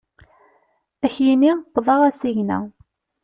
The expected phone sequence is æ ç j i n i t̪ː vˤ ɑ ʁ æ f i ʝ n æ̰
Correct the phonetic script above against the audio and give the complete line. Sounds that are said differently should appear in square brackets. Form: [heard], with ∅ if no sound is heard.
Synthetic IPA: æ ç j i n i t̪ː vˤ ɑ ʁ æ [s] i ʝ n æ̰